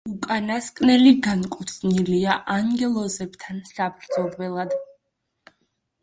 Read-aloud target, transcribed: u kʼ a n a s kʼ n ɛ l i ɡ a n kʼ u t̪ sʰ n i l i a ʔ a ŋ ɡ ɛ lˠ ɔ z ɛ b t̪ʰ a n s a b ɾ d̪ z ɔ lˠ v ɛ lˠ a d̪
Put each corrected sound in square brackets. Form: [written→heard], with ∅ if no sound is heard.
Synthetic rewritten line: u kʼ a n a s kʼ n ɛ l i ɡ a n kʼ u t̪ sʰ n i l i a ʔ a ŋ ɡ ɛ lˠ ɔ z ɛ b t̪ʰ a n s a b ɾ d̪ z ɔ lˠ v ɛ lˠ a d̪